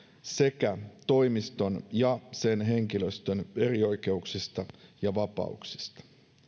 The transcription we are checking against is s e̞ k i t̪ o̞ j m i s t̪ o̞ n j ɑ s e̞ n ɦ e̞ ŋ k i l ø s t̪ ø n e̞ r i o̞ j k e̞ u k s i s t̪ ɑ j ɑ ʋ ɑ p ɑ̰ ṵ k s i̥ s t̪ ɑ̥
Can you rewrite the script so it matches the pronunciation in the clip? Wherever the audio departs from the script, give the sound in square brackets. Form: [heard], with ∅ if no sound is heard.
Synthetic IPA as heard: s e̞ k [æ] t̪ o̞ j m i s t̪ o̞ n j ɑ s e̞ n ɦ e̞ ŋ k i l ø s t̪ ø n e̞ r i o̞ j k e̞ u k s i s t̪ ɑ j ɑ ʋ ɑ p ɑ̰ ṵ k s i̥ s t̪ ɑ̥